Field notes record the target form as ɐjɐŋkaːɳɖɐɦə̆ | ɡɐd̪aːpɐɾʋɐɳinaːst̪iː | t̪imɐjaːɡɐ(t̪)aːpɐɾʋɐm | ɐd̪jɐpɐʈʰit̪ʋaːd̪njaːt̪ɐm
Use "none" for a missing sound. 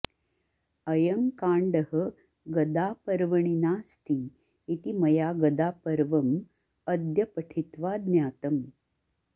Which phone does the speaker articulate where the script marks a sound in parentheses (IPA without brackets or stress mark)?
d̪